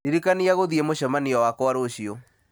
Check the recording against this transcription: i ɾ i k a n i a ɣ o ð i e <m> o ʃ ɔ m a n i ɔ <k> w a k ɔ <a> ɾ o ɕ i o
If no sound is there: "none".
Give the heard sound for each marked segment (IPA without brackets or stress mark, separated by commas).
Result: m, none, a